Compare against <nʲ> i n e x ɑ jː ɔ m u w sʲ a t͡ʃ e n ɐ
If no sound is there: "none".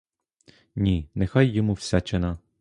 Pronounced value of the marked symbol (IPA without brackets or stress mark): nʲ